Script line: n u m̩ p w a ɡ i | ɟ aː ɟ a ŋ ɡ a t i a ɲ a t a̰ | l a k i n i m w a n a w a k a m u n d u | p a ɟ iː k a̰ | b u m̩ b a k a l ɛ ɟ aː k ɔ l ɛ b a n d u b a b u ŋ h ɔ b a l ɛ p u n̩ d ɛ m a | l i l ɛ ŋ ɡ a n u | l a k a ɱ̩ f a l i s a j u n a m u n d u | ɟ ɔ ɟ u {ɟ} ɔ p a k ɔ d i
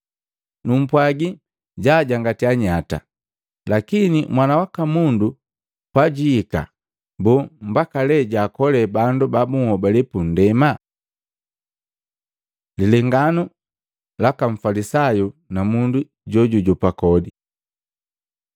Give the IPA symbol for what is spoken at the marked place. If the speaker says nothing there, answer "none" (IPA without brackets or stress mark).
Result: ɟ